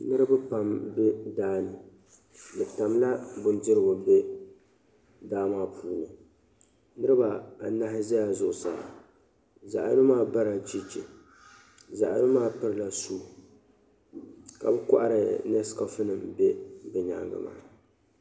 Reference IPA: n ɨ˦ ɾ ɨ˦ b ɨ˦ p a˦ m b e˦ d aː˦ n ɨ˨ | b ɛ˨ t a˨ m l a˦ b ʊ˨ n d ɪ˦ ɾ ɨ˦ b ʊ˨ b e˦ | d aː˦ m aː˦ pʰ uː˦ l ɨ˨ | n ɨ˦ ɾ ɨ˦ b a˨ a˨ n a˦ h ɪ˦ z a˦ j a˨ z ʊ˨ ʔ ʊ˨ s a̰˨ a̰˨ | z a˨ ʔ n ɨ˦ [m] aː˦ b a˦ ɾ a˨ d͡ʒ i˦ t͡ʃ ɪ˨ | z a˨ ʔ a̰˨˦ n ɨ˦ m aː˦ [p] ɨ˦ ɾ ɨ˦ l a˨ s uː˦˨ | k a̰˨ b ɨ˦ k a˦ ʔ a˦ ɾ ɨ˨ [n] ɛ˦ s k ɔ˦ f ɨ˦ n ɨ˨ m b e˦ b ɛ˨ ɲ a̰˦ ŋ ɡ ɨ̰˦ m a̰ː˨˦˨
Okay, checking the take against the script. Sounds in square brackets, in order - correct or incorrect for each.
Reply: correct, correct, correct

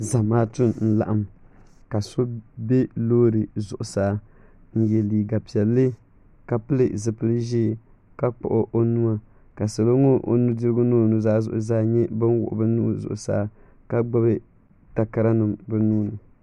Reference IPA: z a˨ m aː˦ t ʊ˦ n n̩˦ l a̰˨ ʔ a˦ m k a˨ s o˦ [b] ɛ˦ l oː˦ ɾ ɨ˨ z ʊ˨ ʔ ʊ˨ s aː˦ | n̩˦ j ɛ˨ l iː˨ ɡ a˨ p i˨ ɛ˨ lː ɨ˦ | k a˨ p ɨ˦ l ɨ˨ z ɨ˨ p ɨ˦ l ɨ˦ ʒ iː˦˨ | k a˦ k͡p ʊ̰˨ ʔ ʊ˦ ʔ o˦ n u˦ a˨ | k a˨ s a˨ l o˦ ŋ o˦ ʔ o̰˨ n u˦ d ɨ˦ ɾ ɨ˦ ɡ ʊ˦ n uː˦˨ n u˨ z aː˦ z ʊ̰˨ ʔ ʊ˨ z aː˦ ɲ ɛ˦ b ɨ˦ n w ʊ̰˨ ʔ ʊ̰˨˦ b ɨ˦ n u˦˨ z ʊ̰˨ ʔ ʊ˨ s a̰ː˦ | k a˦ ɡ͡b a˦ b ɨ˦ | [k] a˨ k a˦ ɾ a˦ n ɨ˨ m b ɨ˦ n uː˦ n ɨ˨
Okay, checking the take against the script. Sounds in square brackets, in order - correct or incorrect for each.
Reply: correct, incorrect: t

